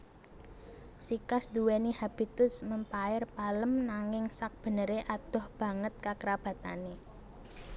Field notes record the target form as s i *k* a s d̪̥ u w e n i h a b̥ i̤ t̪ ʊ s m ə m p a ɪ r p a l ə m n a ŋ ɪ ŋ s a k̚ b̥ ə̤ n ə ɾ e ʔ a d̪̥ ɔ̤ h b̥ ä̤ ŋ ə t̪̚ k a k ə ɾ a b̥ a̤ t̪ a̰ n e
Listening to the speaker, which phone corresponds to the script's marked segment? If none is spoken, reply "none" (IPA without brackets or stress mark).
k